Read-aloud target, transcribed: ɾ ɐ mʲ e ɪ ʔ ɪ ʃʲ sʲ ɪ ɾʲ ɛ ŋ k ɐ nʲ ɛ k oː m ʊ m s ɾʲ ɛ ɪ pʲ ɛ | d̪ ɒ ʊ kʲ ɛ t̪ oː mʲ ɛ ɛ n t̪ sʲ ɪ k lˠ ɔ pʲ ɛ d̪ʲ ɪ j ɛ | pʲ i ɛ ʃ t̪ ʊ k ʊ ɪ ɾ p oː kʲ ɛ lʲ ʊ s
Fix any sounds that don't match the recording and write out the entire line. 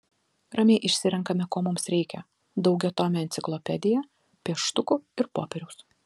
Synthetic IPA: ɾ ɐ mʲ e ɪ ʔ ɪ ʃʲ sʲ ɪ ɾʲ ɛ ŋ k ɐ mʲ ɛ k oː m ʊ m s ɾʲ ɛ ɪ kʲ ɛ | d̪ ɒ ʊ ɡʲ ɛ t̪ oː mʲ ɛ ɛ n t̪ sʲ ɪ k lˠ ɔ pʲ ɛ d̪ʲ ɪ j ɛ | pʲ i ɛ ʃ t̪ ʊ k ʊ ɪ ɾ p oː pʲ ɛ ɾʲ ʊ s